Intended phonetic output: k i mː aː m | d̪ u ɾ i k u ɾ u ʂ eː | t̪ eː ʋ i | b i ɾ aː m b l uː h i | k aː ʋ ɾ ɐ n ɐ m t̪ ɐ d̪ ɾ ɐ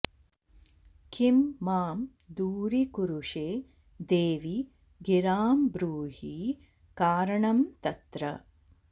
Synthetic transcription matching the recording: k i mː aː m | d̪ uː ɾ i k u ɾ u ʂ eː | d̪ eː ʋ i | ɡ i ɾ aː m b ɾ uː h i | k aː ɾ ɐ ɳ ɐ m t̪ ɐ t̪ ɾ ɐ

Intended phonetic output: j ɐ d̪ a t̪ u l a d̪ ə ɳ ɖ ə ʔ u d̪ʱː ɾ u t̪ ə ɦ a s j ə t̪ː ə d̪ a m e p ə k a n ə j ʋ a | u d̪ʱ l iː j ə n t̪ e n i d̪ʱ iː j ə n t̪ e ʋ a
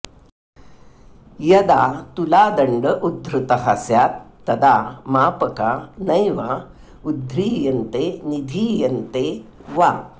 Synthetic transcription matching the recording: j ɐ d̪ a t̪ u l a d̪ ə ɳ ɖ ə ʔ u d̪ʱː ɾ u t̪ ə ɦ a s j a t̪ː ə d̪ a m a p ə k a n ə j ʋ a | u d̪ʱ ɾ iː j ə n t̪ e n i d̪ʱ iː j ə n t̪ e ʋ a

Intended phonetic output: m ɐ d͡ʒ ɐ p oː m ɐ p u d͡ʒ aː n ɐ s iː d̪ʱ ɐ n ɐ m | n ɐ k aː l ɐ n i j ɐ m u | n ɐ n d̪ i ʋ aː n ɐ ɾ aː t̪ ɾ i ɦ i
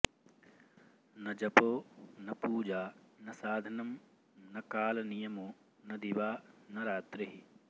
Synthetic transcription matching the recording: n ɐ d͡ʒ ɐ p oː n ɐ p uː d͡ʒ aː n ɐ s aː d̪ʱ ɐ n ɐ m | n ɐ k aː l ɐ n i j ɐ m u | n ɐ d̪ i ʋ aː n ɐ ɾ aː t̪ ɾ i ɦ i

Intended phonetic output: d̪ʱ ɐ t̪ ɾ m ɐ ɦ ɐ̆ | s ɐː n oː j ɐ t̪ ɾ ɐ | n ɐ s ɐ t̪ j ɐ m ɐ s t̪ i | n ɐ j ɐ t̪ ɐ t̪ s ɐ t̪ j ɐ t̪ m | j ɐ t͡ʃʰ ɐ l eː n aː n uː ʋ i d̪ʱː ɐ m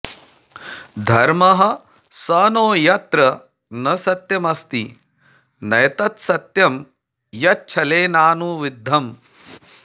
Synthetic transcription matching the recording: d̪ʱ ɐ ɾ m ɐ ɦ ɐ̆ | s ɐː n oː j ɐ t̪ ɾ ɐ | n ɐ s ɐ t̪ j ɐ m ɐ s t̪ i | n ɐ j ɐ t̪ ɐ t̪ s ɐ t̪ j ɐ m | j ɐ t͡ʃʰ ɐ l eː n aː n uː ʋ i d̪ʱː ɐ m

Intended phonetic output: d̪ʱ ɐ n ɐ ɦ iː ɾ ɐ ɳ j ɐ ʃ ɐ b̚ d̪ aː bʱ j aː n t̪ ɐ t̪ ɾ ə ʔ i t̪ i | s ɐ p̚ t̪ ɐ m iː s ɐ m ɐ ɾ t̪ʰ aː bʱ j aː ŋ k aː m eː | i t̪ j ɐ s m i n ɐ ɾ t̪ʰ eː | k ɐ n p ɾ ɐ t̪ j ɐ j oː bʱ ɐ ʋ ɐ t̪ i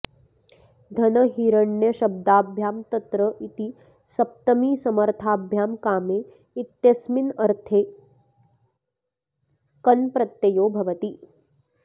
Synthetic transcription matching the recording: d̪ʱ ɐ n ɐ ɦ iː ɾ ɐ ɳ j ɐ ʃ ɐ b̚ d̪ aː bʱ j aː m t̪ ɐ t̪ ɾ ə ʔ i t̪ i | s ɐ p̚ t̪ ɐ m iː s ɐ m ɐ ɾ t̪ʰ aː bʱ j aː m k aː m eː | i t̪ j ɐ s m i n ɐ ɾ t̪ʰ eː | k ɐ n p ɾ ɐ t̪ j ɐ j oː bʱ ɐ ʋ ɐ t̪ i

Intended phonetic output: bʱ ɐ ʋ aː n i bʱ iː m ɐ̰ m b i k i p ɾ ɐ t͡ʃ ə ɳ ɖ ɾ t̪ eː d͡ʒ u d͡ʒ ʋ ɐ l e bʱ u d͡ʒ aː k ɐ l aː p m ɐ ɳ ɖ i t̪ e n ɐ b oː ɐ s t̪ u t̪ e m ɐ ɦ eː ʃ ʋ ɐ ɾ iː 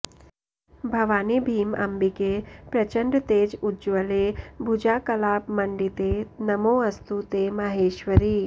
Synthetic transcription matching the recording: bʱ ɐ ʋ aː n i bʱ iː m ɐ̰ m b i k e p ɾ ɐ t͡ʃ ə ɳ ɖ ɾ t̪ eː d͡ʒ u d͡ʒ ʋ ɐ l e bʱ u d͡ʒ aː k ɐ l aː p m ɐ ɳ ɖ i t̪ e n ɐ m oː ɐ s t̪ u t̪ e m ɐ ɦ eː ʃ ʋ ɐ ɾ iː

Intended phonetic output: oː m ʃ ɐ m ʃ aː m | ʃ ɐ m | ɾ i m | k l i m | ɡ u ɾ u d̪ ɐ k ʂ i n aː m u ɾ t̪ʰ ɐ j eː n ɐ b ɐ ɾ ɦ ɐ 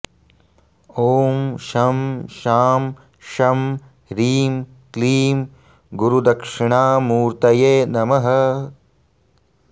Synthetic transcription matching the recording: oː m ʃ ɐ m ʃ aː m | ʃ ɐ m | ɾ iː m | k l iː m | ɡ u ɾ u d̪ ɐ k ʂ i ɳ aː m uː ɾ t̪ ɐ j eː n ɐ m ɐ ɦ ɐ

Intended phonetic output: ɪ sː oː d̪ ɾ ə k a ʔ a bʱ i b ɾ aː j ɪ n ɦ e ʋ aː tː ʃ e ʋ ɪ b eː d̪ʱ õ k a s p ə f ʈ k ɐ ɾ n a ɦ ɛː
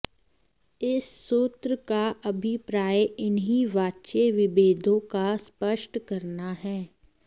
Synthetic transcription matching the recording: ɪ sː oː t̪ ɾ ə k a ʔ ɐ bʱ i p ɾ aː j ɪ n ɦ i ʋ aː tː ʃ e ʋ ɪ b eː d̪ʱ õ k a s p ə ʃ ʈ k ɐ ɾ n a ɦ ɛː

